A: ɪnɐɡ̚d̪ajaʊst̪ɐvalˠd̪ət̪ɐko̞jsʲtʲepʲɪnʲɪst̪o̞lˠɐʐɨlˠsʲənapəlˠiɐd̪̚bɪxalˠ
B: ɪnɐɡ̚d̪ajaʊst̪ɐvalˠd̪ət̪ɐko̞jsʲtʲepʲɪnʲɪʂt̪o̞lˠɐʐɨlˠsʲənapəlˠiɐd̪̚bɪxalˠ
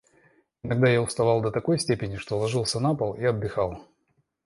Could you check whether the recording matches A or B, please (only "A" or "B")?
B